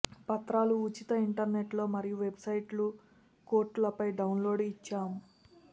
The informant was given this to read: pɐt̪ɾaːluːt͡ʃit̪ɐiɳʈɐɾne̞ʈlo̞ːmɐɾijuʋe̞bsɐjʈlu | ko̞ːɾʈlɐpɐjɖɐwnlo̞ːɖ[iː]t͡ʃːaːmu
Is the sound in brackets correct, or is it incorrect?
incorrect: i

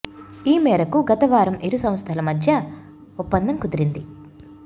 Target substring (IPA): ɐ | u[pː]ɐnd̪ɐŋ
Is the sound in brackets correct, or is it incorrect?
correct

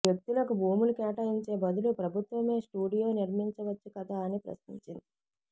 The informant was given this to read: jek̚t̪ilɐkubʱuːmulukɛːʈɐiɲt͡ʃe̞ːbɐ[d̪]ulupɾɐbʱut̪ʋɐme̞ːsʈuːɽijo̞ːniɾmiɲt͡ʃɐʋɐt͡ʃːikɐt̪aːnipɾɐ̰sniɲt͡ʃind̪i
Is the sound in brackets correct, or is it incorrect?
correct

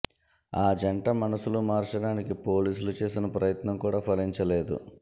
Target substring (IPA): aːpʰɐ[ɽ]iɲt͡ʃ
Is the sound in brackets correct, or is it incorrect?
incorrect: l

